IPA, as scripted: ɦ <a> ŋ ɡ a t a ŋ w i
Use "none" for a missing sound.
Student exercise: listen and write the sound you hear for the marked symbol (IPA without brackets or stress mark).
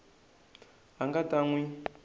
a